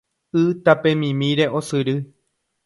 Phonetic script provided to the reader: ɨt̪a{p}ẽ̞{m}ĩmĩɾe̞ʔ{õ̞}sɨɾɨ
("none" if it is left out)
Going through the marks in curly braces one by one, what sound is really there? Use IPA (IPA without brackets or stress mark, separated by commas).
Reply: p, m, o̞